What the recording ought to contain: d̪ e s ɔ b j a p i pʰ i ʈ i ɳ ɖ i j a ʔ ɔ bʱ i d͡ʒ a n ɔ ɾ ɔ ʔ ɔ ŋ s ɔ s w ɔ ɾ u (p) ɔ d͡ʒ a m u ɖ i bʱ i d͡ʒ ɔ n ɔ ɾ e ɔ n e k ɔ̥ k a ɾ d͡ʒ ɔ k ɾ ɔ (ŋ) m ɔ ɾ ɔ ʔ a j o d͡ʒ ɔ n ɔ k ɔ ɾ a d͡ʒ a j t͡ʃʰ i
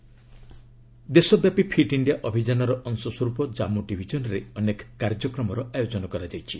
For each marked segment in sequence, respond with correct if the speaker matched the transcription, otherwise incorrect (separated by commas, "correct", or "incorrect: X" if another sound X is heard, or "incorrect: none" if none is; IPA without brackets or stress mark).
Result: correct, incorrect: none